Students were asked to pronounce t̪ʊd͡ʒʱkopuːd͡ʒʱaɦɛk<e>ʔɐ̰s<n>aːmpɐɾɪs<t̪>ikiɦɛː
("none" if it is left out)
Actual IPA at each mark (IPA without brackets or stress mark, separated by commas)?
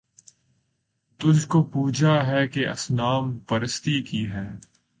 e, n, t̪